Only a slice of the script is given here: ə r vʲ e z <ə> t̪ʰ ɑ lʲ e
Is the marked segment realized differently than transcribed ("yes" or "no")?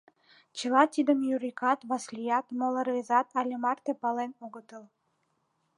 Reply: yes